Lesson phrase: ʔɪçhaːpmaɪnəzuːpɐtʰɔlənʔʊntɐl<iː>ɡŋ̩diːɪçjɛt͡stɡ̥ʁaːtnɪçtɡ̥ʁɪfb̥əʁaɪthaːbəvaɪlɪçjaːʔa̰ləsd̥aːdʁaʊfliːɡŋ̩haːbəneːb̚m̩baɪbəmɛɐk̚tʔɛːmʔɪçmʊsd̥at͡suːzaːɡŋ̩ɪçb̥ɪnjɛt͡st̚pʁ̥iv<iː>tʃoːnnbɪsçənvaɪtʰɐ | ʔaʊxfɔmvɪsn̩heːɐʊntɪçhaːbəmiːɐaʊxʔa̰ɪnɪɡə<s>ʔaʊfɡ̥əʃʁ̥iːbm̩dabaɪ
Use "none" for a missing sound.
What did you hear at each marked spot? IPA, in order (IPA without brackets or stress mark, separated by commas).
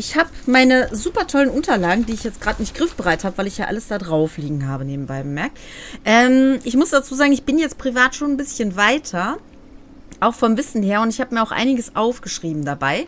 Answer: aː, aː, s